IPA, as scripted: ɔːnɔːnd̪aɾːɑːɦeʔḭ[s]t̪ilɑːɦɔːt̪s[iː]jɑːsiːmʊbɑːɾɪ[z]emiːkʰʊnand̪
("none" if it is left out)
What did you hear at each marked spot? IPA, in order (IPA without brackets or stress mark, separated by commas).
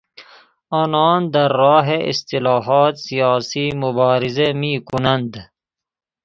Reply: s, i, z